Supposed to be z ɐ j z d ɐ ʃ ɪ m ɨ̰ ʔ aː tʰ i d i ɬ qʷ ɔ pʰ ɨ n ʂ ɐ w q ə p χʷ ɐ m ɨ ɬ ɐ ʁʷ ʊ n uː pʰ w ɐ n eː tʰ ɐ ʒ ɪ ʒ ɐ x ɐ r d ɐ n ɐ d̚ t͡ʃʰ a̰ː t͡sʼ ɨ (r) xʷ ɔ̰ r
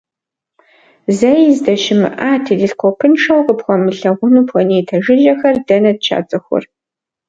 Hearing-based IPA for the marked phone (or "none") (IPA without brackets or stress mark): none